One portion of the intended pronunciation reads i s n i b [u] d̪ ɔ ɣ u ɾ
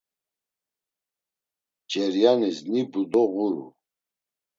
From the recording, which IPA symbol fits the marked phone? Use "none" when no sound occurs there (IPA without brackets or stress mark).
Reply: u